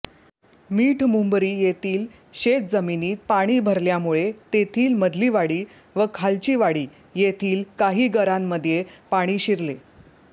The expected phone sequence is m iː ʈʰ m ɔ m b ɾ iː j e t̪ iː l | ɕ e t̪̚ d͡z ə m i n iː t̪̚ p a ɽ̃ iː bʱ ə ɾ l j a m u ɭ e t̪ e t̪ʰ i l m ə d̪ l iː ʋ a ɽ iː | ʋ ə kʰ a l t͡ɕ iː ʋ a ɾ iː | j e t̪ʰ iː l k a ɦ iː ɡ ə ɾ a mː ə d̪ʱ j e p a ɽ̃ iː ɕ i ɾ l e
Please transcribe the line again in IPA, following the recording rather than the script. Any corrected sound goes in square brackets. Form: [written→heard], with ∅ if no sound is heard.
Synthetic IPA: m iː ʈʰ m [ɔ→u] m b ɾ iː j e t̪ iː l | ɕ e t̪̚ d͡z ə m i n iː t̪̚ p a ɽ̃ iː bʱ ə ɾ l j a m u ɭ e t̪ e t̪ʰ [i→iː] l m ə d̪ l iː ʋ a ɽ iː | ʋ ə kʰ a l t͡ɕ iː ʋ a [ɾ→ɽ] iː | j e t̪ʰ iː l k a ɦ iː ɡ ə ɾ a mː ə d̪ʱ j e p a ɽ̃ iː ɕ i ɾ l e